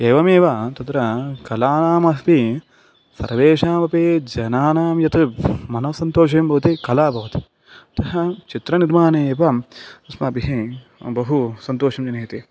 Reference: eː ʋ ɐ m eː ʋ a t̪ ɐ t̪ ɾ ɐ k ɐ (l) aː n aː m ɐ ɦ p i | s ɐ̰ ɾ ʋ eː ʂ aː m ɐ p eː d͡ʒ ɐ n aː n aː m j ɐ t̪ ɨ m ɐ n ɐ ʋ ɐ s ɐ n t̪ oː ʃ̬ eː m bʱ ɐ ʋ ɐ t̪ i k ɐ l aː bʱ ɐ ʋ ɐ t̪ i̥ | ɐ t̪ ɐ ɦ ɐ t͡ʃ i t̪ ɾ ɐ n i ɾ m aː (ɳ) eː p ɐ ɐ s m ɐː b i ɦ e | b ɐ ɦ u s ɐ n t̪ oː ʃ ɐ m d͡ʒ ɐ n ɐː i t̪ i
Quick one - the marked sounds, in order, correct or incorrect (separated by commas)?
correct, incorrect